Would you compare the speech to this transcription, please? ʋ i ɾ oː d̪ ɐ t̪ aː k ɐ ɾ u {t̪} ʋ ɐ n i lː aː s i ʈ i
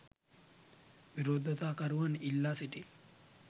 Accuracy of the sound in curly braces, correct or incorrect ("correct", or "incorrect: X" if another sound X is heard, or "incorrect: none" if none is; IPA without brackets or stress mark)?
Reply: incorrect: none